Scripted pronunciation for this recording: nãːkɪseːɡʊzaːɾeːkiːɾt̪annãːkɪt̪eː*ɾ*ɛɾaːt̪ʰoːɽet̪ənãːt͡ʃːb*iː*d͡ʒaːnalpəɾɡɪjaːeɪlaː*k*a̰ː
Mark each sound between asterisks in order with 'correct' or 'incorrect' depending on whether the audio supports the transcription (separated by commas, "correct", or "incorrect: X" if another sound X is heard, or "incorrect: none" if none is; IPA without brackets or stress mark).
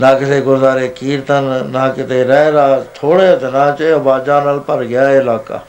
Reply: correct, incorrect: aː, correct